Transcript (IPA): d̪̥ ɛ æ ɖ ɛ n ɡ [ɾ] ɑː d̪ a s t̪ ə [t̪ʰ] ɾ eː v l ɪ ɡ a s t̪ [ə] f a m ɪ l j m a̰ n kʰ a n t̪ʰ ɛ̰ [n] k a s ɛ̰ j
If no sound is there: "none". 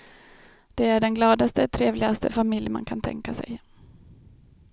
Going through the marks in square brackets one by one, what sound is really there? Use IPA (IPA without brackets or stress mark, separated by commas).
l, t̪ʰ, ə, ŋ